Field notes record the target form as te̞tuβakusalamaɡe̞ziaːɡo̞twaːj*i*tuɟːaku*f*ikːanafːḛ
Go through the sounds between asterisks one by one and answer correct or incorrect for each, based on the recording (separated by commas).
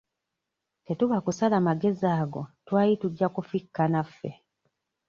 correct, correct